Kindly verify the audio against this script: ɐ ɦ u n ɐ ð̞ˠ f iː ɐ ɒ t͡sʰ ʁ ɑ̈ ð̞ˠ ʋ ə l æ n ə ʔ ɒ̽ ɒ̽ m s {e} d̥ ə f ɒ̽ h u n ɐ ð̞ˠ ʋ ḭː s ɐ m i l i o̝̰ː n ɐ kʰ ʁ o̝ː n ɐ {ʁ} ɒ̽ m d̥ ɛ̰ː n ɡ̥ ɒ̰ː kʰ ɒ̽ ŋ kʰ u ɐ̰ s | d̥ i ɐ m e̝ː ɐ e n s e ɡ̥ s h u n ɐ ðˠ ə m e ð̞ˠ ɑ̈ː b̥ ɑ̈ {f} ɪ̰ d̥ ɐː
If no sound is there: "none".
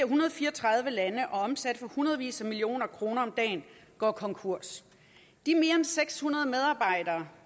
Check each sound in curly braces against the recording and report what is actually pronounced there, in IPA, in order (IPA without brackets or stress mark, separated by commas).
æ, none, none